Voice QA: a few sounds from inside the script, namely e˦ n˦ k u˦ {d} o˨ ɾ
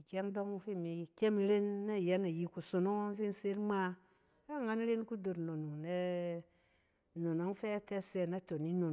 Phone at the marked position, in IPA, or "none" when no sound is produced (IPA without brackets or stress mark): d